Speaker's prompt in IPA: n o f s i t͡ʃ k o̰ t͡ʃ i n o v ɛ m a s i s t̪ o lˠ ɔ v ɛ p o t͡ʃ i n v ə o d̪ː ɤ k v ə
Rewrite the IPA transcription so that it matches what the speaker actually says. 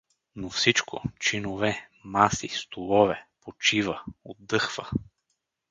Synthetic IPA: n o f s i t͡ʃ k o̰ t͡ʃ i n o v ɛ m a s i s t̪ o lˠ ɔ v ɛ p o t͡ʃ i v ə o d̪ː ɤ x v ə